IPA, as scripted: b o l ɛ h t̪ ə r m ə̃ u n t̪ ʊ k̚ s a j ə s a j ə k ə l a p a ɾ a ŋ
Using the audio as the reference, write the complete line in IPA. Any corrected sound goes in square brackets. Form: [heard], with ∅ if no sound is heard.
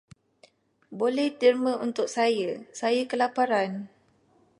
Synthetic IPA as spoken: b o l ɛ h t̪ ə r m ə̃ u n t̪ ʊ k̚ s a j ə s a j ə k ə l a p a ɾ a [n]